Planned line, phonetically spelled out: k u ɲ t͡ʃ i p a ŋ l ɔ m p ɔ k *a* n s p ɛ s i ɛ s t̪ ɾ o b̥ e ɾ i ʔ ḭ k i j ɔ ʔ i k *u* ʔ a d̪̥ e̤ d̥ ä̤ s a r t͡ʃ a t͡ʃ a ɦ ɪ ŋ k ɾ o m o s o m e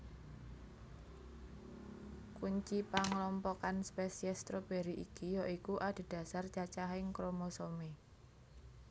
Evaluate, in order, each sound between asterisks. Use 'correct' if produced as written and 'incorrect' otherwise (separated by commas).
correct, correct